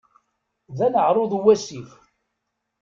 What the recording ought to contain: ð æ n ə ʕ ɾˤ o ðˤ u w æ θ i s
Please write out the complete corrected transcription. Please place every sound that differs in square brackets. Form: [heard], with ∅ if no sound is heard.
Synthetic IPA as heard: ð æ n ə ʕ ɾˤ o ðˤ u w æ [s] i [f]